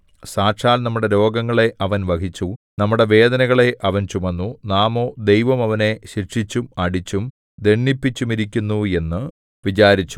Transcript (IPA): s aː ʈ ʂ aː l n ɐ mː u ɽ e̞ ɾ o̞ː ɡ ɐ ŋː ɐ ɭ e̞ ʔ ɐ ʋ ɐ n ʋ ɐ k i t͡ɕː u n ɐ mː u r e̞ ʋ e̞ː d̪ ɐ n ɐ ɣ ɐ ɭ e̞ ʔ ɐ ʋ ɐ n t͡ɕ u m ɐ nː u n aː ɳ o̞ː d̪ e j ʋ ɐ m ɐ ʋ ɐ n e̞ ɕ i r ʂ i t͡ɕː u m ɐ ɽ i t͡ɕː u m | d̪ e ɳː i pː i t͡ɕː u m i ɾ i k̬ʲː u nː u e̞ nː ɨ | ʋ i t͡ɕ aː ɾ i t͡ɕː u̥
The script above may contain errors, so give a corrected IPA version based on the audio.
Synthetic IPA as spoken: s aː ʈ ʂ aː l n ɐ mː u ɽ e̞ ɾ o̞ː ɡ ɐ ŋː ɐ ɭ e̞ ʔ ɐ ʋ ɐ n ʋ ɐ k i t͡ɕː u n ɐ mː u ɽ e̞ ʋ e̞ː d̪ ɐ n ɐ ɣ ɐ ɭ e̞ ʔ ɐ ʋ ɐ n t͡ɕ u m ɐ nː u n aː m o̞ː d̪ e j ʋ ɐ m ɐ ʋ ɐ n e̞ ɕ i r ʂ i t͡ɕː u m ɐ ɽ i t͡ɕː u m | d̪ e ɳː i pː i t͡ɕː u m i ɾ i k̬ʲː u nː u e̞ nː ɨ | ʋ i t͡ɕ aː ɾ i t͡ɕː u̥